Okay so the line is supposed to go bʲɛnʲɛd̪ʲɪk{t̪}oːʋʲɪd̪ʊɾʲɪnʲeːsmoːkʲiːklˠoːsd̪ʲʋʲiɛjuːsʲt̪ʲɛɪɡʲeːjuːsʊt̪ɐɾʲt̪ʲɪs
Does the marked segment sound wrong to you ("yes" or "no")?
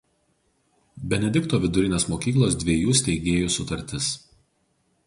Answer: no